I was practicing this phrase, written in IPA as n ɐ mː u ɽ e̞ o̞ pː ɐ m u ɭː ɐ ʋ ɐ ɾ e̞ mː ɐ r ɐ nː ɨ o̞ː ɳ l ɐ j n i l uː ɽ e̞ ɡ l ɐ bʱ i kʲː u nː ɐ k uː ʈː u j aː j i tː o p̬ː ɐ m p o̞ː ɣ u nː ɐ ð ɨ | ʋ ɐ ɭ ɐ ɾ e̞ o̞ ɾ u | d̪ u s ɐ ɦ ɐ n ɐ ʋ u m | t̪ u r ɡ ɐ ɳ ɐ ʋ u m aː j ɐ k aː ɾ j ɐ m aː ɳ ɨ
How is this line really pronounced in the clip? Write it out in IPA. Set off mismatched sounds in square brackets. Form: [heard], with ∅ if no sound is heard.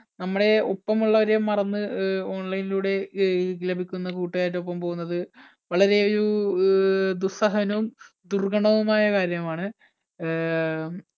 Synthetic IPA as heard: n ɐ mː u ɽ e̞ o̞ pː ɐ m u ɭː ɐ ʋ ɐ ɾ e̞ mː ɐ r ɐ nː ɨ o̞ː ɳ l ɐ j n i l uː ɽ e̞ ɡ l ɐ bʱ i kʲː u nː ɐ k uː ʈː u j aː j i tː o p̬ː ɐ m p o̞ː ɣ u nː ɐ ð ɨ | ʋ ɐ ɭ ɐ ɾ e̞ o̞ ɾ u | d̪ u s ɐ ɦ ɐ n ɐ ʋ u m | [d̪] u r ɡ ɐ ɳ ɐ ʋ u m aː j ɐ k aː ɾ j ɐ m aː ɳ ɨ